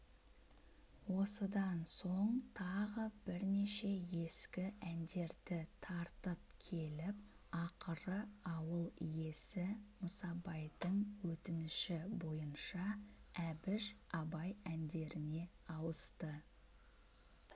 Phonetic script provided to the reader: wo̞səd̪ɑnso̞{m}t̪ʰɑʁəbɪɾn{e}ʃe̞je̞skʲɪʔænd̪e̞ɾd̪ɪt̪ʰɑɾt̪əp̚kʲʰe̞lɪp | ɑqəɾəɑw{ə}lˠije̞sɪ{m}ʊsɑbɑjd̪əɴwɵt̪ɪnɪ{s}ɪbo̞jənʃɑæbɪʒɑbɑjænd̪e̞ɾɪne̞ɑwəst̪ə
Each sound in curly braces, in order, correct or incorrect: incorrect: ɴ, correct, correct, correct, incorrect: ʃ

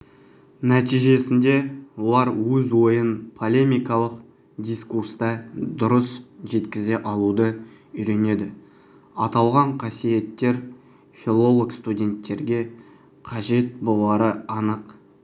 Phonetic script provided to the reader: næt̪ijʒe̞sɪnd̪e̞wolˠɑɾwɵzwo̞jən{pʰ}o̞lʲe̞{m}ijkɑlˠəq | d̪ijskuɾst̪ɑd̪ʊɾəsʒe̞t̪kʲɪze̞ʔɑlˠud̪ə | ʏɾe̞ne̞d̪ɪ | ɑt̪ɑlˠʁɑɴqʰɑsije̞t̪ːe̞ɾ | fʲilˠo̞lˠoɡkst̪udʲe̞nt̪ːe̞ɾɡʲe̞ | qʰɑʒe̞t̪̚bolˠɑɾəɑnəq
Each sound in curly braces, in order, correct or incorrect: correct, correct

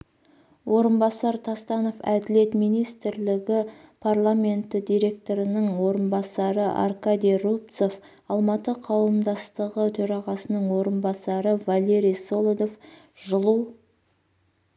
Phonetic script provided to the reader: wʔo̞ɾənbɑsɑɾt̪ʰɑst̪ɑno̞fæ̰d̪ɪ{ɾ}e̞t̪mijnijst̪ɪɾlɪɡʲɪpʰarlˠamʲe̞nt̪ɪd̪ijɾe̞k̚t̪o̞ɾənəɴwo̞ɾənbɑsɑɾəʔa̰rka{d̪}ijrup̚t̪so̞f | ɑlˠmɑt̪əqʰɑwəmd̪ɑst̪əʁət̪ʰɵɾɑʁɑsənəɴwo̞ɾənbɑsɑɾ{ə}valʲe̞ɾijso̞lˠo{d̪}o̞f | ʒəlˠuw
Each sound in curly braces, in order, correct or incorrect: incorrect: l, correct, correct, correct

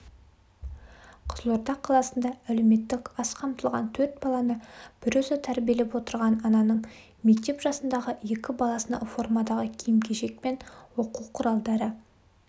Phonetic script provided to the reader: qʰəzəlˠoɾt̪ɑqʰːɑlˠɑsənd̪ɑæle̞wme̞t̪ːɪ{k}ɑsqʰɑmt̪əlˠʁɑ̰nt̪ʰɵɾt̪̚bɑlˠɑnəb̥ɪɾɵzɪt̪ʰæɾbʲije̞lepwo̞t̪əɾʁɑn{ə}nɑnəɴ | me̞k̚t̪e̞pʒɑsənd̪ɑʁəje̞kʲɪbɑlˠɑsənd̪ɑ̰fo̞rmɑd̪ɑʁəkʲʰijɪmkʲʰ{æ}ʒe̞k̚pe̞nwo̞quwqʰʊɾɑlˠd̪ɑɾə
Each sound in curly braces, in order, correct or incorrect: correct, incorrect: ɑ, incorrect: e

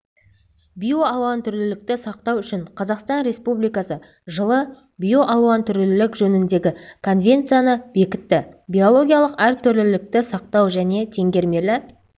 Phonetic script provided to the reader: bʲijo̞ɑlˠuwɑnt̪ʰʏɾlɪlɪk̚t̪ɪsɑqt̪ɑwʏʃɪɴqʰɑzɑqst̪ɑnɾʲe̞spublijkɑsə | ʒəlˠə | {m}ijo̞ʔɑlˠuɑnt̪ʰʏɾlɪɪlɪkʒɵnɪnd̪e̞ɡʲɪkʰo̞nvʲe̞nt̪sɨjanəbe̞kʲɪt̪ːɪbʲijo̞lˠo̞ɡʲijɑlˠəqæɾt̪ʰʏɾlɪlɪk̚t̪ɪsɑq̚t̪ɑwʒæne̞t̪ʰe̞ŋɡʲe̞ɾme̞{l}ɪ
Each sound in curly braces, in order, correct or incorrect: incorrect: b, correct

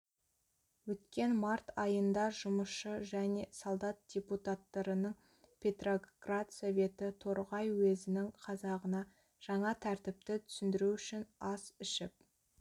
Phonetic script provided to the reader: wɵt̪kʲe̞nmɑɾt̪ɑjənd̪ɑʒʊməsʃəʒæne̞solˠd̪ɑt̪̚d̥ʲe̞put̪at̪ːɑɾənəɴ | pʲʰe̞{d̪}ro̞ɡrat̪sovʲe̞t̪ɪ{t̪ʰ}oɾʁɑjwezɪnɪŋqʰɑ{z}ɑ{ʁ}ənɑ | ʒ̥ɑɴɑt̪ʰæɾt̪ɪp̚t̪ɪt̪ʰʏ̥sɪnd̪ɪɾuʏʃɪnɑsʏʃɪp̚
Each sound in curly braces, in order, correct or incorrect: incorrect: t̪, correct, correct, correct

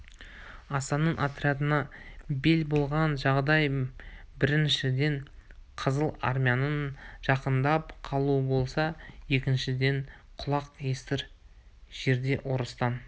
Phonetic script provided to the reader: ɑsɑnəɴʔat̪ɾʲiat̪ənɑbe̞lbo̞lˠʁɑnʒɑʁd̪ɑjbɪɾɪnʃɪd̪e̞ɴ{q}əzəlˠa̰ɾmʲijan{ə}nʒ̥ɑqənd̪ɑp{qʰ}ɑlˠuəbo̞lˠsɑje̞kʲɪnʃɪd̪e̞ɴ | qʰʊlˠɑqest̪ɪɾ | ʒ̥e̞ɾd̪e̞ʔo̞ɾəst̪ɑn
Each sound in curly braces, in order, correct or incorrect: incorrect: qʰ, correct, correct

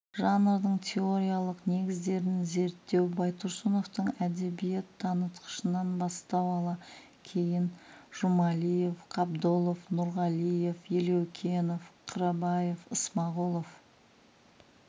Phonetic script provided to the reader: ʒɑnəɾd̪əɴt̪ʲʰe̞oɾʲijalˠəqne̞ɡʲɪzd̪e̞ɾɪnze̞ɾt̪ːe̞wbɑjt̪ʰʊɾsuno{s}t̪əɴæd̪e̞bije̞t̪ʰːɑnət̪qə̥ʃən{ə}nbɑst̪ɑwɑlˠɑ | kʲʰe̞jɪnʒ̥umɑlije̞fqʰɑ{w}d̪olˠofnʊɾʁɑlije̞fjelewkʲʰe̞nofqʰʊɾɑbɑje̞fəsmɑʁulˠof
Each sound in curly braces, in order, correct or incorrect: incorrect: f, incorrect: ɑ, incorrect: b

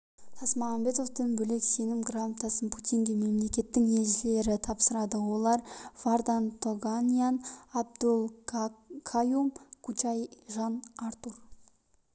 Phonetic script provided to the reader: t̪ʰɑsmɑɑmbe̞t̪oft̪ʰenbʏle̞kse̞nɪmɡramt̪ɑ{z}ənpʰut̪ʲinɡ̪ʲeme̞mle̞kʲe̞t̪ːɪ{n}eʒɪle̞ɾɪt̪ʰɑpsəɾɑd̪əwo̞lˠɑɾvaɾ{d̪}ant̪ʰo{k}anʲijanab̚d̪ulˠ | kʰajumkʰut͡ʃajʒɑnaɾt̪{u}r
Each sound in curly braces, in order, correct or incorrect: incorrect: s, incorrect: ŋ, correct, incorrect: ɡ, correct

